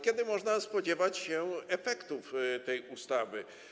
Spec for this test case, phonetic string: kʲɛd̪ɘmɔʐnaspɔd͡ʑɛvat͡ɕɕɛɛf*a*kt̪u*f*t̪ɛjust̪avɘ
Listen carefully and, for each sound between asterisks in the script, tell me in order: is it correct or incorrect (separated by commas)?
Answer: incorrect, correct